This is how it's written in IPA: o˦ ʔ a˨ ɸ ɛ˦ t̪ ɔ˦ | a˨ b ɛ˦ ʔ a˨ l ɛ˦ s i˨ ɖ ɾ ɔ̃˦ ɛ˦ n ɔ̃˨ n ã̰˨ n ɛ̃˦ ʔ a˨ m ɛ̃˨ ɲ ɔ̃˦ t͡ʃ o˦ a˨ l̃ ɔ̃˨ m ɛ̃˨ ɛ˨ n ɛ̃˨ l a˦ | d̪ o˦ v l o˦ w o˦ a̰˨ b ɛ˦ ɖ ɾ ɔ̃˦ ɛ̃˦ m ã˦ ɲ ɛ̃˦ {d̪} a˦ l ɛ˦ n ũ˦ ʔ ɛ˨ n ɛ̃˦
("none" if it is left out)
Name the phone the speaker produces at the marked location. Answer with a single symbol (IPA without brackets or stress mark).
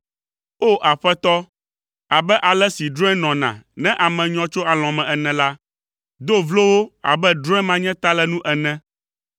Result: t̪